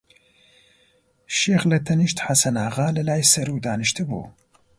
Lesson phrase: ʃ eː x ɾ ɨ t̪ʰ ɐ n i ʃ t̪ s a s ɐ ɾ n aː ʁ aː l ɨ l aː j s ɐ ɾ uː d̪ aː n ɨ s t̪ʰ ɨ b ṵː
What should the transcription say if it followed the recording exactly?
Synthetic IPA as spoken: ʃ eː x l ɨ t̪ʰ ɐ n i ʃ t̪ ħ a s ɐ n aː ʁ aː l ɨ l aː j s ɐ ɾ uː d̪ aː n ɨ ʃ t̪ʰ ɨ b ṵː